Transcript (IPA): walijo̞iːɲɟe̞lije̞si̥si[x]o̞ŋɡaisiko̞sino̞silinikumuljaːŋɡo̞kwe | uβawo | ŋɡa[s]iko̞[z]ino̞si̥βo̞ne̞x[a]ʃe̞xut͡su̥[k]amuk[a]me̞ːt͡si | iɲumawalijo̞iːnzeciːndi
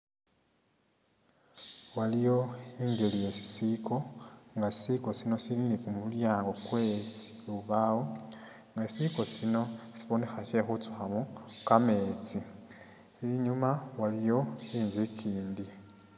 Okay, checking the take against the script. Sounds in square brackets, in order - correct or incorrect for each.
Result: incorrect, correct, incorrect, correct, incorrect, correct

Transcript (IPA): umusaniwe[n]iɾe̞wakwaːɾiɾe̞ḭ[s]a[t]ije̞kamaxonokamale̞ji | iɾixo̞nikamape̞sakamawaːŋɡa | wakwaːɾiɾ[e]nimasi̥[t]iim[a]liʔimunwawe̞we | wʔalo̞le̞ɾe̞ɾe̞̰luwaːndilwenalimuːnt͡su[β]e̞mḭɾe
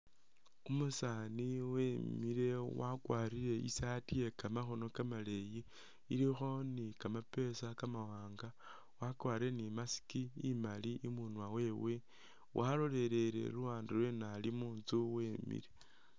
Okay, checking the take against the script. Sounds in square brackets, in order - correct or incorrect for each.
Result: incorrect, correct, correct, correct, incorrect, correct, incorrect

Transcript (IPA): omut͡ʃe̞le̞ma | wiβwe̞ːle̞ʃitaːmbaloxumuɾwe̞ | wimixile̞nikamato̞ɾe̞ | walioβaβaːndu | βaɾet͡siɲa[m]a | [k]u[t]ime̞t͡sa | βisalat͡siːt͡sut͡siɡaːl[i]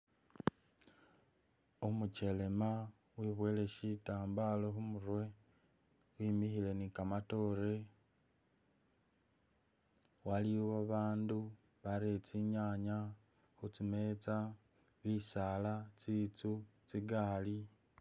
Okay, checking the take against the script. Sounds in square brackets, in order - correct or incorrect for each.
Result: incorrect, incorrect, incorrect, correct

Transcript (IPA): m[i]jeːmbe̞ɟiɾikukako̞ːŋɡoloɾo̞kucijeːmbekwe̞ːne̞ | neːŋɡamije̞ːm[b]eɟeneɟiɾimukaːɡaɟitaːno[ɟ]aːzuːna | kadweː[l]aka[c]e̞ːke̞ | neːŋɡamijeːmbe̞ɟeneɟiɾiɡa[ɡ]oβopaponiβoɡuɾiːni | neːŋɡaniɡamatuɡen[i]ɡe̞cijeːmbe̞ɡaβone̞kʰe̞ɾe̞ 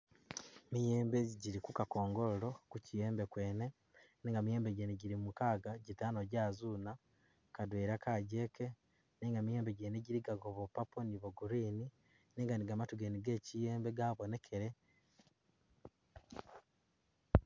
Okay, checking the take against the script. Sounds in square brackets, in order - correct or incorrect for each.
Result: correct, correct, correct, incorrect, incorrect, correct, correct

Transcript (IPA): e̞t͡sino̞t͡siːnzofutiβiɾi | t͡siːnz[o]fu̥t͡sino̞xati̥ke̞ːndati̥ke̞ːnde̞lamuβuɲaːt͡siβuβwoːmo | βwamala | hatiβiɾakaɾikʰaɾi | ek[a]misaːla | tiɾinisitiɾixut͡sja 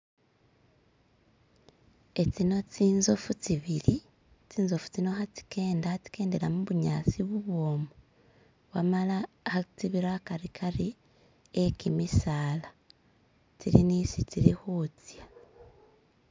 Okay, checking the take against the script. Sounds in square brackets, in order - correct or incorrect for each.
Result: correct, incorrect

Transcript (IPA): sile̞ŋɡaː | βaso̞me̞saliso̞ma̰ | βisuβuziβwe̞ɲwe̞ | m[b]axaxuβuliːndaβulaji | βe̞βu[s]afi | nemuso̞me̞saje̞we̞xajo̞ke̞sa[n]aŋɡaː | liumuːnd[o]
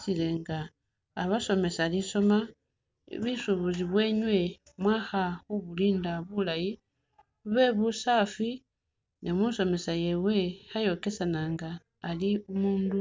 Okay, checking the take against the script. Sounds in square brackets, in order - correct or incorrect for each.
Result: incorrect, correct, correct, incorrect

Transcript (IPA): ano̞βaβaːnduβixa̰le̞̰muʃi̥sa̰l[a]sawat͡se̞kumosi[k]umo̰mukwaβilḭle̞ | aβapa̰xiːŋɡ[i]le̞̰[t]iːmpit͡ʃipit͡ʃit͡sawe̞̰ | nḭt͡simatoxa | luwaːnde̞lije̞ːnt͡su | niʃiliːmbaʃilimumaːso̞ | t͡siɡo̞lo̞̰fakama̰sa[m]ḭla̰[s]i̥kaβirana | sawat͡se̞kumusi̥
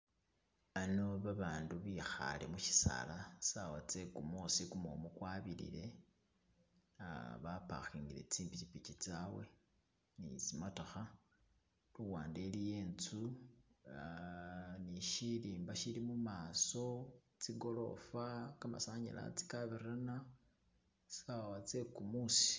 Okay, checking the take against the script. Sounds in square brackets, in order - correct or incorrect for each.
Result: correct, correct, correct, incorrect, incorrect, incorrect

